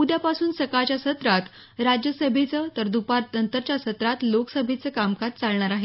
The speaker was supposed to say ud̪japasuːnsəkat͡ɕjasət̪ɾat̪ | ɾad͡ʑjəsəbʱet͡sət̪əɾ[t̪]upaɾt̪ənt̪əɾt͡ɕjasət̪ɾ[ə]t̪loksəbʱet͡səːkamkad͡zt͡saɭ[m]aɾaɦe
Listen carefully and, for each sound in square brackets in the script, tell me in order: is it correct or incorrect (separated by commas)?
incorrect, incorrect, incorrect